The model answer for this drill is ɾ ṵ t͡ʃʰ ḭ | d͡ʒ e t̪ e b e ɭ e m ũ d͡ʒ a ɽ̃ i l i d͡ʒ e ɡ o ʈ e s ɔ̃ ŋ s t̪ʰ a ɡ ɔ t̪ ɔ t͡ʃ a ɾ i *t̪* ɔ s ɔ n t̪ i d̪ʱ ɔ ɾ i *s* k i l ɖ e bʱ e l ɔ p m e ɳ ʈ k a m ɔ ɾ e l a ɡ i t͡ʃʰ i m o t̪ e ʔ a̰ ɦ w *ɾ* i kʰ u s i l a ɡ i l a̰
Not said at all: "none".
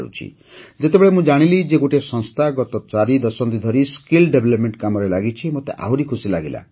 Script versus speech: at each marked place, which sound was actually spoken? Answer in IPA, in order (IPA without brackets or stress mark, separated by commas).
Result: d̪, s, ɾ